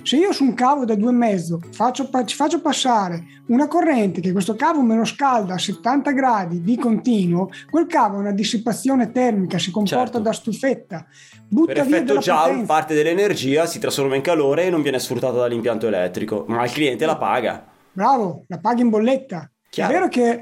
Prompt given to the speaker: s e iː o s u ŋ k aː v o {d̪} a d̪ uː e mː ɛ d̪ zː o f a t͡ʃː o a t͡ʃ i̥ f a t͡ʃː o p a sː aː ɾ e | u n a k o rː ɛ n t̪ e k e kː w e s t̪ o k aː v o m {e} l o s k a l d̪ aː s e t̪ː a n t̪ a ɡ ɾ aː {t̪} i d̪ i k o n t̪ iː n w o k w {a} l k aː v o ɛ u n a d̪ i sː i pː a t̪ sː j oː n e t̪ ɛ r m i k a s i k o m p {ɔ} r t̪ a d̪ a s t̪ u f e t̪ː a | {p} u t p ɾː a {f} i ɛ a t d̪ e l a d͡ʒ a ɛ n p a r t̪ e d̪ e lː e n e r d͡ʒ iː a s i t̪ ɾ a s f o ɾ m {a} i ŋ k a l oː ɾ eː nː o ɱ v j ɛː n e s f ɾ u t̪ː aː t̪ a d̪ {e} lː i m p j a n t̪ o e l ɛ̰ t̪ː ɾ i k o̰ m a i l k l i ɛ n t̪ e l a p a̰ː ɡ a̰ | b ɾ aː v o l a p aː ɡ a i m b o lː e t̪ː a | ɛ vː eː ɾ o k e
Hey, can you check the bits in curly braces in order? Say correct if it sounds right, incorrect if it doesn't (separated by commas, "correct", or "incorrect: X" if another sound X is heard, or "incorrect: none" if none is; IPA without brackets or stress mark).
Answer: correct, correct, incorrect: d̪, incorrect: e, correct, incorrect: b, incorrect: v, correct, incorrect: a